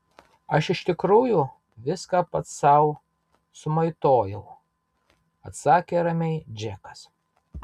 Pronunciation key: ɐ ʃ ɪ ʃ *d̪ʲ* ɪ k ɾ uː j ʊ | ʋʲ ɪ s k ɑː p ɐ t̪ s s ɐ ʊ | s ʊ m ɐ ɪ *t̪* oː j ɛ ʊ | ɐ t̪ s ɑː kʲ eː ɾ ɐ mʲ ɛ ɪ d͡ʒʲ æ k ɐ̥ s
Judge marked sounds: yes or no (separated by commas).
no, yes